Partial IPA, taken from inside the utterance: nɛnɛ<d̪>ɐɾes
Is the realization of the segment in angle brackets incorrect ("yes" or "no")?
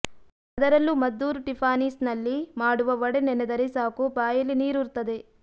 no